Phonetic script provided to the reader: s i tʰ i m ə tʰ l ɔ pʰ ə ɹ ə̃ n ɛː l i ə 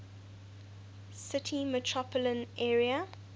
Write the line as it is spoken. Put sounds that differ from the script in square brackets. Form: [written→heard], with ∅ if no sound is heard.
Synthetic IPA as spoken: s [i→ɪ] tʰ i m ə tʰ [l→ɹ] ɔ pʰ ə [ɹ→l] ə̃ n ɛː [l→ɹ] i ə

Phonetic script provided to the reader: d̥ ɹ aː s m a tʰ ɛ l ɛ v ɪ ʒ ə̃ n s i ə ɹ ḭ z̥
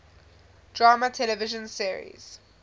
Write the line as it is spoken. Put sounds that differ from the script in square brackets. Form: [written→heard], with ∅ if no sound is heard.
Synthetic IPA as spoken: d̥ ɹ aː [s→∅] m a tʰ ɛ l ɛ v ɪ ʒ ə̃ n s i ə ɹ ḭ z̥

